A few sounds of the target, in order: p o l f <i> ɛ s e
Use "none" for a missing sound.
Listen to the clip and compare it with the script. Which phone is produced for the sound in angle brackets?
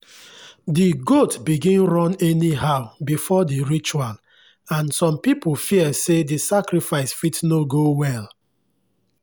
i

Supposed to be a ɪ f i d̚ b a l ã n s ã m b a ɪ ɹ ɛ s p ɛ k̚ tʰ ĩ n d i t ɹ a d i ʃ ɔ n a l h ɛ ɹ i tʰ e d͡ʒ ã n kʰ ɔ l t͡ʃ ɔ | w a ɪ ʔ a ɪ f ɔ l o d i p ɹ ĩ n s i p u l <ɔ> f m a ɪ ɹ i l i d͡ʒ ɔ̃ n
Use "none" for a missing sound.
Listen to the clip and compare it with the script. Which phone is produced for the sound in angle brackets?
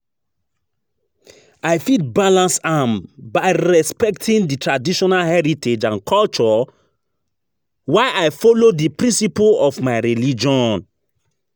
ɔ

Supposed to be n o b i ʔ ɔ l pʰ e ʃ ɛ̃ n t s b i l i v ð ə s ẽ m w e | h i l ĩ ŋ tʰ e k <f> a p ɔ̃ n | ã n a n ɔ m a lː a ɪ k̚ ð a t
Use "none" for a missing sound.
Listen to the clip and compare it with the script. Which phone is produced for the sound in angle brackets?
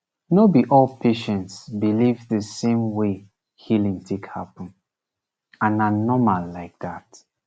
h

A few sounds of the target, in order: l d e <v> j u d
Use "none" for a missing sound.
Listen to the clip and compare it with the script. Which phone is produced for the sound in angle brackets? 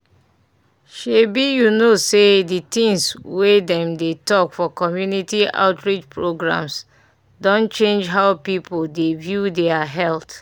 v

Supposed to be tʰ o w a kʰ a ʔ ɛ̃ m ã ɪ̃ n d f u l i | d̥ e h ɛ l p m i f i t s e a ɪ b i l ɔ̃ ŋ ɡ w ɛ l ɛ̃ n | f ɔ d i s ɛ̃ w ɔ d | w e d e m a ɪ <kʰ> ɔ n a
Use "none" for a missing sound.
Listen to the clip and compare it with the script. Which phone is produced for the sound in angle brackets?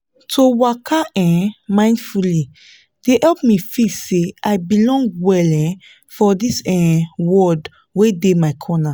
kʰ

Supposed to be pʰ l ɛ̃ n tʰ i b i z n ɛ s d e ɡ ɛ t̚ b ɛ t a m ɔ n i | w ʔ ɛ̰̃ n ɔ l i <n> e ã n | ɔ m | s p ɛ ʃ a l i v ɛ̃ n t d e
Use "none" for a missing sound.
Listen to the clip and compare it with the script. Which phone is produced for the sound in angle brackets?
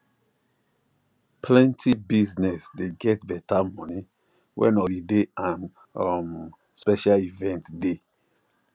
d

